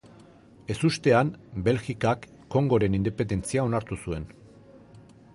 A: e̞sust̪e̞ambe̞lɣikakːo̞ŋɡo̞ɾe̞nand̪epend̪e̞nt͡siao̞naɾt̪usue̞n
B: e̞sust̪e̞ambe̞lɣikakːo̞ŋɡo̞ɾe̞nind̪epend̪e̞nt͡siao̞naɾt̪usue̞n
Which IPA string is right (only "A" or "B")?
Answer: B